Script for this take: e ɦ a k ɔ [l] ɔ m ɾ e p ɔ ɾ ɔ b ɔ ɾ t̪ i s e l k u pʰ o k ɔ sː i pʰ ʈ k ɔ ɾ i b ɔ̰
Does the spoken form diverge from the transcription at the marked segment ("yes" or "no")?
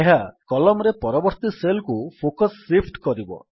no